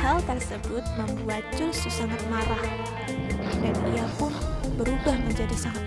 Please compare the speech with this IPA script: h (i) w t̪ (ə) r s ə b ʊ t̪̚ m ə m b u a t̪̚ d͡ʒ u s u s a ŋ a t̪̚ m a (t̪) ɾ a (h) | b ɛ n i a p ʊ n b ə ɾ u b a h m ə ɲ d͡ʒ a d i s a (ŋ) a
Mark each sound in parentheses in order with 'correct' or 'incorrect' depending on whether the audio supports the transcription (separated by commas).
incorrect, correct, incorrect, correct, correct